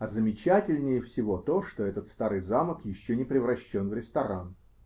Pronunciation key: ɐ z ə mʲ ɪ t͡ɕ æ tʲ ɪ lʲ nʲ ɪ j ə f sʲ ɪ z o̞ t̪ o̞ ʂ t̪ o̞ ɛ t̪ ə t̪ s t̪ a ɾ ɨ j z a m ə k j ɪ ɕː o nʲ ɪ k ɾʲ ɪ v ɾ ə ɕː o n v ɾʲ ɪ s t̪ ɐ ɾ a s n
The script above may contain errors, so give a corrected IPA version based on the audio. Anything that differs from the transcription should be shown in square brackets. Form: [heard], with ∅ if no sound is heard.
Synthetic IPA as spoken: ɐ z ə mʲ ɪ t͡ɕ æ tʲ ɪ lʲ nʲ ɪ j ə f sʲ ɪ [v] o̞ t̪ o̞ ʂ t̪ o̞ ɛ t̪ ə t̪ s t̪ a ɾ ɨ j z a m ə k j ɪ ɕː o nʲ ɪ [p] ɾʲ ɪ v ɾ [ɐ] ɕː o n v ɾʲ ɪ s t̪ ɐ ɾ a [∅] n

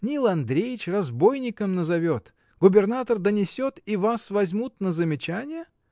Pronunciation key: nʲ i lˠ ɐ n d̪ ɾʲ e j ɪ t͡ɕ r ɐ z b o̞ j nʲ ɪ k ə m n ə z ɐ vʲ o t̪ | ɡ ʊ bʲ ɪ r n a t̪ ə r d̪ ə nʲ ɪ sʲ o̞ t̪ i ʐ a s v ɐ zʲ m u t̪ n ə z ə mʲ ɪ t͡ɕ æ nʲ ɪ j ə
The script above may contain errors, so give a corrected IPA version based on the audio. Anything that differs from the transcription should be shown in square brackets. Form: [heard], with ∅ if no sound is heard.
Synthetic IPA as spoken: nʲ i lˠ ɐ n d̪ ɾʲ e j ɪ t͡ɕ r ɐ z b o̞ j nʲ ɪ k ə m n ə z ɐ vʲ o t̪ | ɡ ʊ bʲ ɪ r n a t̪ ə r d̪ ə nʲ ɪ sʲ o̞ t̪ i [v] a s v ɐ zʲ m u t̪ n ə z ə mʲ ɪ t͡ɕ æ nʲ ɪ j ə

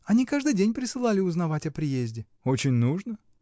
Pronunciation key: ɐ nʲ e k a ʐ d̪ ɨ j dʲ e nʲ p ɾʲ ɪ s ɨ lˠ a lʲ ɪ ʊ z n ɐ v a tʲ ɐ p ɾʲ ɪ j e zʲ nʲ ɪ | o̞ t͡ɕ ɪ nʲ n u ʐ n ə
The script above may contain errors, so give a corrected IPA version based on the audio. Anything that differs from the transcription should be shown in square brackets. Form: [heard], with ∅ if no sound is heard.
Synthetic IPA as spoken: ɐ nʲ [i] k a ʐ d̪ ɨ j dʲ e nʲ p ɾʲ ɪ s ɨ lˠ a lʲ ɪ ʊ z n ɐ v a tʲ ɐ p ɾʲ ɪ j e zʲ [dʲ] ɪ | o̞ t͡ɕ ɪ nʲ n u ʐ n ə

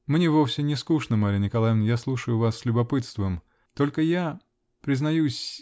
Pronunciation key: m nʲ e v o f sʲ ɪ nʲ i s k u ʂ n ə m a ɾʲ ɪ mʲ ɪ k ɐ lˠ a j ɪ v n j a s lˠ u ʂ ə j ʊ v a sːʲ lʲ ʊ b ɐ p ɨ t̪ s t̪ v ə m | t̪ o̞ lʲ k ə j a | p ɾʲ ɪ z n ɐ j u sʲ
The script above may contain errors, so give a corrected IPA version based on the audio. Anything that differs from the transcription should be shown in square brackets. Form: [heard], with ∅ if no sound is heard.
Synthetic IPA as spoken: m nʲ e v o f sʲ ɪ nʲ [ɪ] s k u ʂ n ə m a ɾʲ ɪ [nʲ] ɪ k ɐ lˠ a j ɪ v n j a s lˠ u ʂ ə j ʊ v a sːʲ lʲ ʊ b ɐ p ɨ t̪ s t̪ v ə m | t̪ o̞ lʲ k ə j a | p ɾʲ ɪ z n ɐ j u sʲ

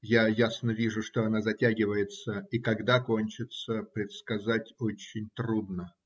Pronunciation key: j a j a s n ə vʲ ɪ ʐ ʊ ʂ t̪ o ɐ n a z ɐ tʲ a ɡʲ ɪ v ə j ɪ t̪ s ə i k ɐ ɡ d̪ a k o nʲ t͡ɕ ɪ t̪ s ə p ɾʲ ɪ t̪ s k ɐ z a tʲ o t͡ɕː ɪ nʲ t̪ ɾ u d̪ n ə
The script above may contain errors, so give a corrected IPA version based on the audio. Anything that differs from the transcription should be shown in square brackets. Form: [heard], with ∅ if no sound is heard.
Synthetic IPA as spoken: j a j a s n ə vʲ [i] ʐ ʊ ʂ t̪ o ɐ n a z ɐ tʲ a ɡʲ ɪ v ə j ɪ t̪ s ə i k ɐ ɡ d̪ a k o nʲ t͡ɕ ɪ t̪ s ə p ɾʲ ɪ t̪ s k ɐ z a tʲ o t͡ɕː ɪ nʲ t̪ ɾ u d̪ n ə

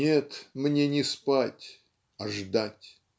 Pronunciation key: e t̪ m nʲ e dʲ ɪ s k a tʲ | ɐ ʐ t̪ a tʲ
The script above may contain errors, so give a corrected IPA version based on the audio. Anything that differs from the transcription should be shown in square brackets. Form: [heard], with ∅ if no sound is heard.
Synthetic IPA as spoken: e t̪ m nʲ e [nʲ] ɪ s [p] a tʲ | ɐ ʐ [d̪] a tʲ

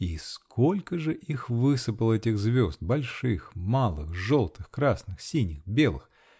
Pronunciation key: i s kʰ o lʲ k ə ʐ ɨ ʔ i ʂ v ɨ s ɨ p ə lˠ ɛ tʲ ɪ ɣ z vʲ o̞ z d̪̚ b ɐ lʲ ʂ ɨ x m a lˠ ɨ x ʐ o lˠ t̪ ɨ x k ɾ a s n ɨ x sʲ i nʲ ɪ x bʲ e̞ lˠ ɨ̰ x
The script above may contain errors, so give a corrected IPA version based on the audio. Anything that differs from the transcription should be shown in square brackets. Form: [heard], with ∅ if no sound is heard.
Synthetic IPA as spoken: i s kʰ o lʲ k ə ʐ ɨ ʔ i [x] v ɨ s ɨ p ə lˠ ɛ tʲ ɪ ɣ z vʲ o̞ z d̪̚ b ɐ lʲ ʂ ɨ x m a lˠ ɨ x ʐ o lˠ t̪ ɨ x k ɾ a s n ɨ x sʲ i nʲ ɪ x bʲ e̞ lˠ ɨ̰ x

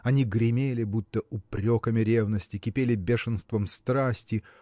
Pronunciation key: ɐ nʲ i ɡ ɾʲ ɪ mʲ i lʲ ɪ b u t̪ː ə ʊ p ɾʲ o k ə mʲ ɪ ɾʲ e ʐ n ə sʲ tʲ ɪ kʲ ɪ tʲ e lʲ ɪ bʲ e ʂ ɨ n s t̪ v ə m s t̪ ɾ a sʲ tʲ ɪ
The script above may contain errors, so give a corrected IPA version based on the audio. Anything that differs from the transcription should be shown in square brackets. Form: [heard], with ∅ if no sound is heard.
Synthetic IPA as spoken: ɐ nʲ i ɡ ɾʲ ɪ mʲ [e] lʲ ɪ b u t̪ː ə ʊ p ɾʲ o k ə mʲ ɪ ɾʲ e [v] n ə sʲ tʲ ɪ kʲ ɪ [pʲ] e lʲ ɪ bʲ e ʂ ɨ n s t̪ v ə m s t̪ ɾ a sʲ tʲ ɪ

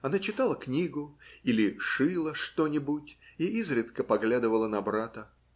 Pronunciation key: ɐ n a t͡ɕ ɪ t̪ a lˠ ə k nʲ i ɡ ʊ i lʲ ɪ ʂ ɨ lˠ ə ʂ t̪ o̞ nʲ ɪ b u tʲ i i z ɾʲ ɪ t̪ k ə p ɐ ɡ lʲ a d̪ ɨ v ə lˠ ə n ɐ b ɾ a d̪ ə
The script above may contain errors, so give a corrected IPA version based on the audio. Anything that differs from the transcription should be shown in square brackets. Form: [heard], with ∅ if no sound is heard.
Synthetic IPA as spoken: ɐ n a t͡ɕ ɪ t̪ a lˠ ə k nʲ i ɡ ʊ i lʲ ɪ ʂ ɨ lˠ ə ʂ t̪ o̞ nʲ ɪ b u tʲ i i z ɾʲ ɪ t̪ k ə p ɐ ɡ lʲ a d̪ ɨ v ə lˠ ə n ɐ b ɾ a [t̪] ə

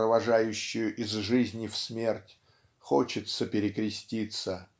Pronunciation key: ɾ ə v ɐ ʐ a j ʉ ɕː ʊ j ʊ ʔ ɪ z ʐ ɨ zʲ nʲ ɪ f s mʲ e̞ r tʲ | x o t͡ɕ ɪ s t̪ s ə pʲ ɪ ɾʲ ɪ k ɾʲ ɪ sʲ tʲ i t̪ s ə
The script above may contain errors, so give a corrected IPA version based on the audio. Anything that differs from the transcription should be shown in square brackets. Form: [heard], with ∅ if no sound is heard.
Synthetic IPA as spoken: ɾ ə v ɐ ʐ a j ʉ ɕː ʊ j ʊ ʔ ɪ z ʐ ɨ zʲ nʲ ɪ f s mʲ e̞ r tʲ | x o t͡ɕ ɪ [∅] t̪ s ə pʲ ɪ ɾʲ ɪ k ɾʲ ɪ sʲ tʲ i t̪ s ə

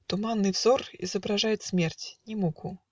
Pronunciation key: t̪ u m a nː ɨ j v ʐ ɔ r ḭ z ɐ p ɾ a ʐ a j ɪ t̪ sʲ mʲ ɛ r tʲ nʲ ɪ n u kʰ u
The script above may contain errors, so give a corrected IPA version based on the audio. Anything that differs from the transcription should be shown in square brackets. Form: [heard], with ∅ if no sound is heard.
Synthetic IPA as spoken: t̪ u m a nː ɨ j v [z] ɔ r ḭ z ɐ [b] ɾ a ʐ a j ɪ t̪ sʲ mʲ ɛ r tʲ nʲ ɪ [m] u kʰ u

